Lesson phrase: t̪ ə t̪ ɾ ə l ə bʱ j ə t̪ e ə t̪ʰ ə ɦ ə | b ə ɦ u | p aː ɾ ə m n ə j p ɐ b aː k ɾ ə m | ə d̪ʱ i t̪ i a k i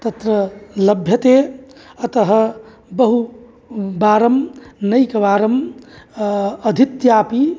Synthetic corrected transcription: t̪ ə t̪ ɾ ə l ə bʱ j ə t̪ e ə t̪ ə ɦ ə | b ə ɦ u | b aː ɾ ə m n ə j k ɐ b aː ɾ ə m | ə d̪ʱ i t̪ j a p i